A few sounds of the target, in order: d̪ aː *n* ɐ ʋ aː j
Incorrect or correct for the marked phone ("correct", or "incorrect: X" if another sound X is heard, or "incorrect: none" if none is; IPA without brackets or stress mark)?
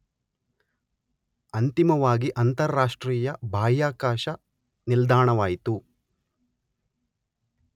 incorrect: ɳ